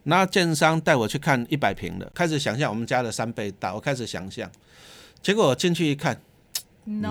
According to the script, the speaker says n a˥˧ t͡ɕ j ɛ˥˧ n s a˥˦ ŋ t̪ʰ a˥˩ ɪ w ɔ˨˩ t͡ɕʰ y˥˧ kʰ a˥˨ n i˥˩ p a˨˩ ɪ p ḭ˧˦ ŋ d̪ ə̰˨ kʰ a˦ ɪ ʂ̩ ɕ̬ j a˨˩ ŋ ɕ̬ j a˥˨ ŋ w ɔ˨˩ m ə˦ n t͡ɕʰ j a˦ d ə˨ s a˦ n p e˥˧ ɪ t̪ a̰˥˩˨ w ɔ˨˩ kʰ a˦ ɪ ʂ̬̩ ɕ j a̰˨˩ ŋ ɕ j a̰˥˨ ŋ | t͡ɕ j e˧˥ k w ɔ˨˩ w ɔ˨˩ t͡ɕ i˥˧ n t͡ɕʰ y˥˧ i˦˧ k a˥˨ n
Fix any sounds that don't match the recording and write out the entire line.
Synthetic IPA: n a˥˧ t͡ɕ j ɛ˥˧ n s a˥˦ ŋ t̪ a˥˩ ɪ w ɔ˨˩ t͡ɕʰ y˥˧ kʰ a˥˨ n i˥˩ p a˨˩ ɪ pʰ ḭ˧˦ ŋ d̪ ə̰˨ kʰ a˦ ɪ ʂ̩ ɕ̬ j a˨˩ ŋ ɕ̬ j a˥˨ ŋ w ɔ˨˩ m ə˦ n t͡ɕ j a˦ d ə˨ s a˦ n p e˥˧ ɪ t̪ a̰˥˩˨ w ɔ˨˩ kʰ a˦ ɪ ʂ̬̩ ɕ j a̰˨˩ ŋ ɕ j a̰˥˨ ŋ | t͡ɕ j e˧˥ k w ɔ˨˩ w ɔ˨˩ t͡ɕ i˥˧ n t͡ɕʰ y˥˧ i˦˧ kʰ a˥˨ n